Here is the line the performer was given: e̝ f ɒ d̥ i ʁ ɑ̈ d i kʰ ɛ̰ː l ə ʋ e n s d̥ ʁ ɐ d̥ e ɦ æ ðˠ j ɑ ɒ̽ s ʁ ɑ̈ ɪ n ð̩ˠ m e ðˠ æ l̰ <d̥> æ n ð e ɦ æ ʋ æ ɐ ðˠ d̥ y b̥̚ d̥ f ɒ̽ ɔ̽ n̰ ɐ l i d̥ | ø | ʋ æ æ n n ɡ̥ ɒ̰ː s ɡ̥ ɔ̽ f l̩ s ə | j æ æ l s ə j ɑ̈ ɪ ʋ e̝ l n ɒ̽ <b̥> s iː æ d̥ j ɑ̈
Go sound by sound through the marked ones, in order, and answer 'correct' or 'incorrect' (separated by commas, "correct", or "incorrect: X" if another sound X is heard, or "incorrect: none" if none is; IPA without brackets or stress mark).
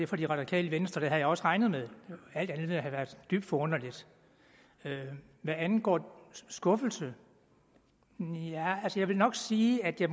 correct, incorrect: ɡ̥